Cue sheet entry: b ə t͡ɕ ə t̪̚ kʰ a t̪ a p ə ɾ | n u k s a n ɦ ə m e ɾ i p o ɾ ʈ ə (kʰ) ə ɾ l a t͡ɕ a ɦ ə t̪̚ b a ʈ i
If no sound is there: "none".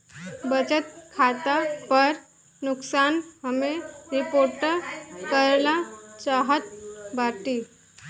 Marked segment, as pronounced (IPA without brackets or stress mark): k